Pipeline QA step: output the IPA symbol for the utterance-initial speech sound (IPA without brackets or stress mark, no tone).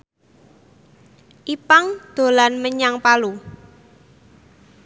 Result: ʔ